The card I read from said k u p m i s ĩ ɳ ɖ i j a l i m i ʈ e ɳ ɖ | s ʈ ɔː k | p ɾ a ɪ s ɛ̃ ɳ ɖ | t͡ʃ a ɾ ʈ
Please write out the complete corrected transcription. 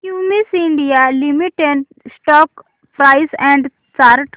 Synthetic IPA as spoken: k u m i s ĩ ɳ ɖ i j a l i m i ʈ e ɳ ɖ | s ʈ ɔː k | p ɾ a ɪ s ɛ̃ ɳ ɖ | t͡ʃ a ɾ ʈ